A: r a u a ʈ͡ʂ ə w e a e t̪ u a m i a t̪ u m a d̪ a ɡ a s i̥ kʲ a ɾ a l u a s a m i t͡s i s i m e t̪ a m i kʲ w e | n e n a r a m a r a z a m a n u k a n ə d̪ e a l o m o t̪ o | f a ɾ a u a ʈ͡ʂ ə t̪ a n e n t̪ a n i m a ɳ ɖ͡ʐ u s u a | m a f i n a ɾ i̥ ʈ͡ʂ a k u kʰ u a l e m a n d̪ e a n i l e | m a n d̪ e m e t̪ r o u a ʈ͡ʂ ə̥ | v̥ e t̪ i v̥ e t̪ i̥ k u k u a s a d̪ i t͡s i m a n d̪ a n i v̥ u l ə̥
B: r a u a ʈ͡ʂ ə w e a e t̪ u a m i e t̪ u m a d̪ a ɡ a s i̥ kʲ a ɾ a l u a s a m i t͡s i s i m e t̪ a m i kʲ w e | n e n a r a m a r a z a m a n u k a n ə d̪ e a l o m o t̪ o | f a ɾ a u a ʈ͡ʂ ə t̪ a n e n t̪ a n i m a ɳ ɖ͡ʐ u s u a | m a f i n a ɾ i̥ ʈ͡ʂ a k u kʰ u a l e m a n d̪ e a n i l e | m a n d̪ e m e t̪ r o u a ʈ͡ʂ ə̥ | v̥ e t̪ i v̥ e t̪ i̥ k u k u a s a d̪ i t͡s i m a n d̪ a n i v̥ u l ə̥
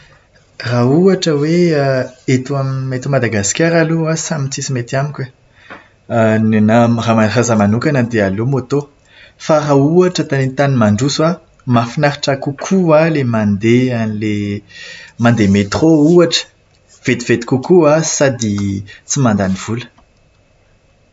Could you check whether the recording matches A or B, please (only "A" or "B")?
B